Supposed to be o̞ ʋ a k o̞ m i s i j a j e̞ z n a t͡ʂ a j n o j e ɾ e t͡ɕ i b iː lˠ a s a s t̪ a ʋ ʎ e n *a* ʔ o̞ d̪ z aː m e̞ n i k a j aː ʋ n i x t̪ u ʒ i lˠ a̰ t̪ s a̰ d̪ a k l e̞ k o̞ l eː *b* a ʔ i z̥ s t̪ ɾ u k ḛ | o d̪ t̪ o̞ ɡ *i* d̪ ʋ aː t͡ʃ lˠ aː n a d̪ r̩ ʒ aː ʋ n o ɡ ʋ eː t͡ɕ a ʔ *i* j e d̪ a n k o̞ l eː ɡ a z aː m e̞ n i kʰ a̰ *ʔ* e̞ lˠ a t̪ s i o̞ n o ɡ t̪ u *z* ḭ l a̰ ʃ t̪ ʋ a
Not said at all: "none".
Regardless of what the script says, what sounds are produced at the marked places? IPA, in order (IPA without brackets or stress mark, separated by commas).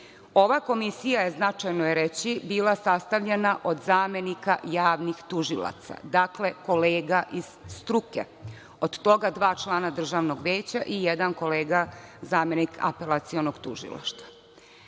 a, ɡ, a, i, p, ʒ